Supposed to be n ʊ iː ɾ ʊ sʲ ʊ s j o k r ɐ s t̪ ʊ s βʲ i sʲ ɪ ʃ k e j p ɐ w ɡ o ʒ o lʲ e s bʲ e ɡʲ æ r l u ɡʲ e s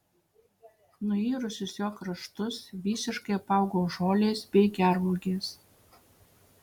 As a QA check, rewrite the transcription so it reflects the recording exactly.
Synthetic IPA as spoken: n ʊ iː ɾ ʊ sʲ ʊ s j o k r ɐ ʃ t̪ ʊ s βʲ i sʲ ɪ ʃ k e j p ɑ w ɡ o ʒ o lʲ e s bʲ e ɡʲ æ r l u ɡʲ e s